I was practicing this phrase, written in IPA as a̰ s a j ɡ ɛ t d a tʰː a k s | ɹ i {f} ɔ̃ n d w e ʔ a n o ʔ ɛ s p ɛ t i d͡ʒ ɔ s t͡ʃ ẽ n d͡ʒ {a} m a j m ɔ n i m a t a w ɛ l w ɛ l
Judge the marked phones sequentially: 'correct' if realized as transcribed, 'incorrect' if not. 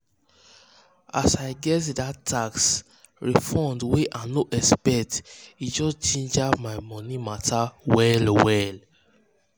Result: correct, correct

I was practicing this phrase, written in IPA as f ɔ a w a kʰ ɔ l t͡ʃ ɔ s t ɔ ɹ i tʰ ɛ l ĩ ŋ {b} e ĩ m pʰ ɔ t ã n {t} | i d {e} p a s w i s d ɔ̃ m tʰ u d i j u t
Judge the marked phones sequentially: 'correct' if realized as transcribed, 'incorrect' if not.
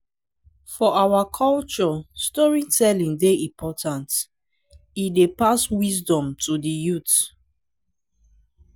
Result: incorrect, correct, correct

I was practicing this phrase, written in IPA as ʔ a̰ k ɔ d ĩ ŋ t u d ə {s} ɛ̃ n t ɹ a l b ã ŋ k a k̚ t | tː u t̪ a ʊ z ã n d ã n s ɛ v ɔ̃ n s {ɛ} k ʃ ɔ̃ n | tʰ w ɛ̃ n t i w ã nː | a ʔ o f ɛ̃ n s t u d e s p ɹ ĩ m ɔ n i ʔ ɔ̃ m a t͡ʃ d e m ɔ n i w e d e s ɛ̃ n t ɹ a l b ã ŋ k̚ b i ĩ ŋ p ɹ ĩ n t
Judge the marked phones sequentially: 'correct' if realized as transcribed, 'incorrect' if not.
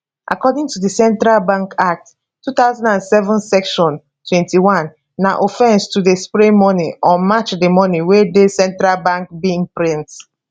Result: correct, correct

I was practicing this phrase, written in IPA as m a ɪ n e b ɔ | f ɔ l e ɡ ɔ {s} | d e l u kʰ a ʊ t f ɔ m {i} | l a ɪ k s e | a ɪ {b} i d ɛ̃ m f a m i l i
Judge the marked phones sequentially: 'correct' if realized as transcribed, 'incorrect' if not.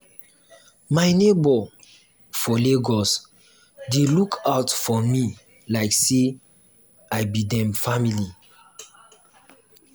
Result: correct, correct, correct

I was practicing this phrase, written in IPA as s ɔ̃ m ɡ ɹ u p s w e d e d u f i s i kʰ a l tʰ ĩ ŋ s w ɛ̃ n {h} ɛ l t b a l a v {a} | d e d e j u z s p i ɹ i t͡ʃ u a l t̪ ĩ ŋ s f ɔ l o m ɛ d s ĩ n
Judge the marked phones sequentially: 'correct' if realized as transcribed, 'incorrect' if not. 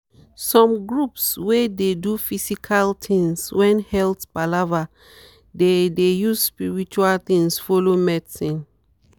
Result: correct, correct

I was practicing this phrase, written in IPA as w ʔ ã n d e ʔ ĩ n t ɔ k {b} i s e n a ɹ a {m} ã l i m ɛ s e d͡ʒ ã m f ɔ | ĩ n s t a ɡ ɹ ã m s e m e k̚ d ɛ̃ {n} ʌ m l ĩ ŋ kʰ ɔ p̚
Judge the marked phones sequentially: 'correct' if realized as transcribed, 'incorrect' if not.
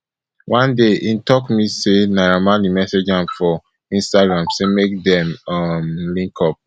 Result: incorrect, correct, incorrect

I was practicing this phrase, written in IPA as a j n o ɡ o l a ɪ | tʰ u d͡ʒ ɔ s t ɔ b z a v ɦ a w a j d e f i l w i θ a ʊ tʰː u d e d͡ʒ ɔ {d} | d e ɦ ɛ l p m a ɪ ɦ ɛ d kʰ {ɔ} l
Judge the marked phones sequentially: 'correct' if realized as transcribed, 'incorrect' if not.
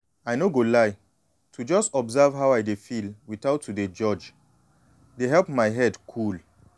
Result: incorrect, incorrect

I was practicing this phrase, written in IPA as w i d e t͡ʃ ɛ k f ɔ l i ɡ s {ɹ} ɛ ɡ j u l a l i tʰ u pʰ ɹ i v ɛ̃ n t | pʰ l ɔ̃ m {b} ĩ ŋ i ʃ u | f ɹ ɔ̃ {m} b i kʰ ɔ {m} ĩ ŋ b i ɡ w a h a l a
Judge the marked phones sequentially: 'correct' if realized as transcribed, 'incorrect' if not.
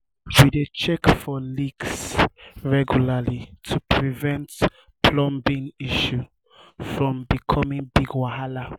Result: correct, correct, correct, correct

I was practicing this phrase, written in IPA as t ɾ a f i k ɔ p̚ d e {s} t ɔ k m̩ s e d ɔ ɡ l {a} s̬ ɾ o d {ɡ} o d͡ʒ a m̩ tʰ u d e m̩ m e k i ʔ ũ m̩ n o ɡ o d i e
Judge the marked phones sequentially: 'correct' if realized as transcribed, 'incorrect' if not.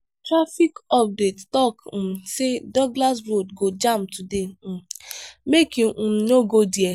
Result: incorrect, correct, correct

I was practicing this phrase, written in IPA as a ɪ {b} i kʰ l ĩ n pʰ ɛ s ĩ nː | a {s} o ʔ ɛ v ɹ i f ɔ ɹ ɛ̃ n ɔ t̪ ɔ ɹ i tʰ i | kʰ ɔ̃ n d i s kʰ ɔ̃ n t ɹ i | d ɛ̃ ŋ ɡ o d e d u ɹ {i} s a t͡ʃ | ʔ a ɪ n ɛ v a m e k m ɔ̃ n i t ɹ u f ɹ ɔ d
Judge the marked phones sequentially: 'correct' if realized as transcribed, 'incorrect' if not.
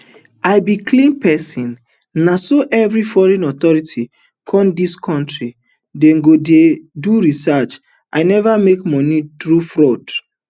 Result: correct, correct, correct

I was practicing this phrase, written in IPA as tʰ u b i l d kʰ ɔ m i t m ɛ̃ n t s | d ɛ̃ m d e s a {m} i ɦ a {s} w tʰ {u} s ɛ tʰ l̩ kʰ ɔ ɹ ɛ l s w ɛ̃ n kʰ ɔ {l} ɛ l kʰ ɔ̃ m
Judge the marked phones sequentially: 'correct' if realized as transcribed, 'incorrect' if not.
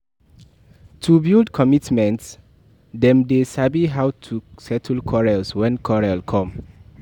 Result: incorrect, incorrect, correct, incorrect

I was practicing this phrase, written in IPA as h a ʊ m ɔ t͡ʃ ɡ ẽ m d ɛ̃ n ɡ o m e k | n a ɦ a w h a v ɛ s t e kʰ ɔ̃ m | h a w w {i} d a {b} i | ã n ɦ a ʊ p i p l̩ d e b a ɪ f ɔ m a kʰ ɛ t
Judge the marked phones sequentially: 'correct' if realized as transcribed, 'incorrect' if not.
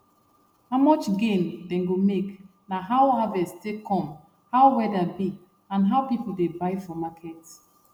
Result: incorrect, correct

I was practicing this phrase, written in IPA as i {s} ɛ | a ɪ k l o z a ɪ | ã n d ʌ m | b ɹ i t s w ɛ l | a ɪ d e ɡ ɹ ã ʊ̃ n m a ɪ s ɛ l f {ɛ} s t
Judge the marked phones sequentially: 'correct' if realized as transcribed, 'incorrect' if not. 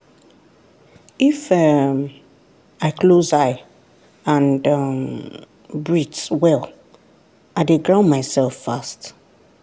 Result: incorrect, incorrect

